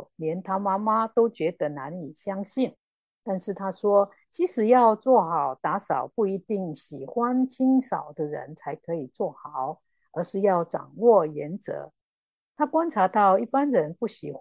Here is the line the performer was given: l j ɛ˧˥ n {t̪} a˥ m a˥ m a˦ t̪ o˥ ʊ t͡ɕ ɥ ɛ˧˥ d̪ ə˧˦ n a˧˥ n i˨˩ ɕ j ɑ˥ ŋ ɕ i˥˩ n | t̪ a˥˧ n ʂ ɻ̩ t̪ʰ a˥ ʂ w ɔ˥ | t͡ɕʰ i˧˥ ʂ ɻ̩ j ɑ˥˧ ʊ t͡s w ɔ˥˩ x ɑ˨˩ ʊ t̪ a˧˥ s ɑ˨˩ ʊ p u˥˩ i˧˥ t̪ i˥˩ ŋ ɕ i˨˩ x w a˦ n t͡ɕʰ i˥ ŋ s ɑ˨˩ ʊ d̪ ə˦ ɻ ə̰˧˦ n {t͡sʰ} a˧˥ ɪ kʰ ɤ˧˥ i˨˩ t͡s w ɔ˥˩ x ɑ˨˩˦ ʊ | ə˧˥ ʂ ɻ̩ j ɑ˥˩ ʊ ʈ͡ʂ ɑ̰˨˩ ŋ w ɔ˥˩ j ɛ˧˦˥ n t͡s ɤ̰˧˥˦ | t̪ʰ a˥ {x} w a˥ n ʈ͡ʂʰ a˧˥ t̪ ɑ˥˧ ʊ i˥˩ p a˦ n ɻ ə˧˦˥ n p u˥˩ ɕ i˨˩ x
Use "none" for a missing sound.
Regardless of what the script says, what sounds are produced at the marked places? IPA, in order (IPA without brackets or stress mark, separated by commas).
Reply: t̪ʰ, t͡sʰ, k